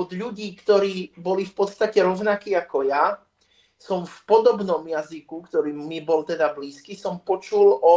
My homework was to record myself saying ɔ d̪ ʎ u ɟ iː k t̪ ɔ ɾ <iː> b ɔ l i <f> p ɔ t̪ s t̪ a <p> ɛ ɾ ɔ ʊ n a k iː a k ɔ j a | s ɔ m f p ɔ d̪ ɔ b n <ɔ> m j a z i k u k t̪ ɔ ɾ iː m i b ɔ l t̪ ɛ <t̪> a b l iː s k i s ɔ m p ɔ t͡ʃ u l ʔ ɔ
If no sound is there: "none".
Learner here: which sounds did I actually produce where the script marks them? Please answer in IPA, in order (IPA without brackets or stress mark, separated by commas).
iː, f, c, ɔ, d̪